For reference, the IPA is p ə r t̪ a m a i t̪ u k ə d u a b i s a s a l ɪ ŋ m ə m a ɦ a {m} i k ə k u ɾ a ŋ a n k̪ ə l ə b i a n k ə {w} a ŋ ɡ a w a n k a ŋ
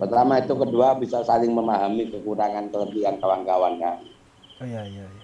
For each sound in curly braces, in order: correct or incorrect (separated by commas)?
correct, correct